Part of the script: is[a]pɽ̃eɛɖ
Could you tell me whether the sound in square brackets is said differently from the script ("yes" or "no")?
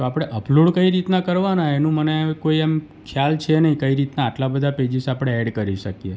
no